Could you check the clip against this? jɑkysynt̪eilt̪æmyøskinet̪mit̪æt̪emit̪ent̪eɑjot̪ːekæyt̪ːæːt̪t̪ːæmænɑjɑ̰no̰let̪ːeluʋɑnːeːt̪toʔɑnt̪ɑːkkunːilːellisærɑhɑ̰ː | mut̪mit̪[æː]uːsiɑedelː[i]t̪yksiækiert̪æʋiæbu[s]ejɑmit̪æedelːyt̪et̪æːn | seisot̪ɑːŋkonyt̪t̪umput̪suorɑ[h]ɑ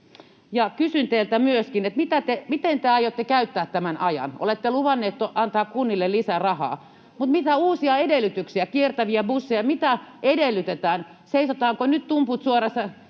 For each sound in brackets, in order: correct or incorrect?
incorrect: æ, incorrect: y, incorrect: sː, incorrect: s

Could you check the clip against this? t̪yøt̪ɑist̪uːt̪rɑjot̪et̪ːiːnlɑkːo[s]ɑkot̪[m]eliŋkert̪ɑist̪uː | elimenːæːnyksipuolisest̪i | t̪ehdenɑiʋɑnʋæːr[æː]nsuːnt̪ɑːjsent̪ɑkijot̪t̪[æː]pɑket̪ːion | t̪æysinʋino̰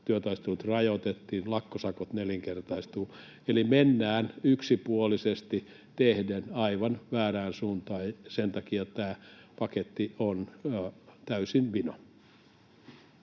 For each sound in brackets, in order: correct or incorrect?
correct, incorrect: n, correct, correct

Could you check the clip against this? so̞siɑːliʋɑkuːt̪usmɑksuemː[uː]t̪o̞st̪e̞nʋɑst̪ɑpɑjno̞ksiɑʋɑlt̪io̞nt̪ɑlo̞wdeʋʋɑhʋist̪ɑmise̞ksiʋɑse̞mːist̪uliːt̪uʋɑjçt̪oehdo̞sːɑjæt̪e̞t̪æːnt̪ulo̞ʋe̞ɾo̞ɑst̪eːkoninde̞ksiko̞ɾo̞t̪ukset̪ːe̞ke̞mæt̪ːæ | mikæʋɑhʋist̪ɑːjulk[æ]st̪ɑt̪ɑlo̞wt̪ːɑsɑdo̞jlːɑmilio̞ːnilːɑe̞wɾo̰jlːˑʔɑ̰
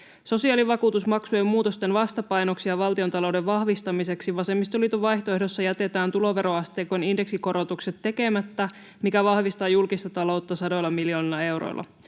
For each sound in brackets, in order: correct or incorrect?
correct, incorrect: i

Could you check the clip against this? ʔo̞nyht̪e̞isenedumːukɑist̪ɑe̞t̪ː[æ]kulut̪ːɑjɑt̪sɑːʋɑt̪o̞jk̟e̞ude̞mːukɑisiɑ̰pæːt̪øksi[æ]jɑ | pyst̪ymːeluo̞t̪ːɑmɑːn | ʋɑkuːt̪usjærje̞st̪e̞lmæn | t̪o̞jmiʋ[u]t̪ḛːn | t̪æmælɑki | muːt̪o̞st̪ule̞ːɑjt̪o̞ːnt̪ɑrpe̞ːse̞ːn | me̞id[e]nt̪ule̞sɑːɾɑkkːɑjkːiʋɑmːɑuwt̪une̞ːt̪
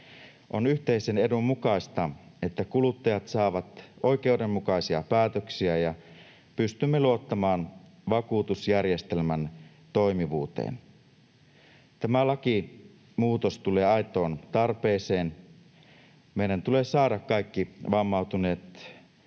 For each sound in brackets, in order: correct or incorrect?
correct, correct, incorrect: uː, incorrect: æ

